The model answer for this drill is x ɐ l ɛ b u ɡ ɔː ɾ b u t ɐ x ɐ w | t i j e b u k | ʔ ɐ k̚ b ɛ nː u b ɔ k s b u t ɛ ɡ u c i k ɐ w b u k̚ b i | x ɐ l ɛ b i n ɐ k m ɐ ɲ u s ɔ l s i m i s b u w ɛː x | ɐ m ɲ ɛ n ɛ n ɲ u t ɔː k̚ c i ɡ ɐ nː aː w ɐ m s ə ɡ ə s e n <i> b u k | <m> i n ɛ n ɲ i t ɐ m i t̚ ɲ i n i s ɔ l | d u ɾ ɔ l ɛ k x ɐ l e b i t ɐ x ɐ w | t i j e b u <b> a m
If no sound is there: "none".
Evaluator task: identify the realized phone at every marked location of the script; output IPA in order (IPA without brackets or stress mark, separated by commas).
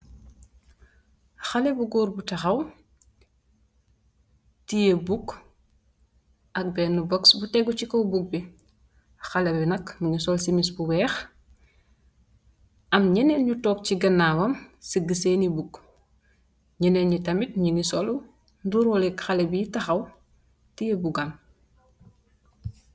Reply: i, ɲ, ɡ